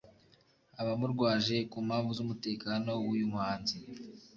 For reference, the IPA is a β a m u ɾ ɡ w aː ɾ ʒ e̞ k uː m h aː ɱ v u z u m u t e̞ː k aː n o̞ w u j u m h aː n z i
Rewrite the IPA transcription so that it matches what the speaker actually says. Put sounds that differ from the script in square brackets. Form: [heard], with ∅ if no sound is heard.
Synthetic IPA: a β a m u ɾ ɡ w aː [∅] ʒ e̞ k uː m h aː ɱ v u z u m u t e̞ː k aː n o̞ w u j u m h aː n z i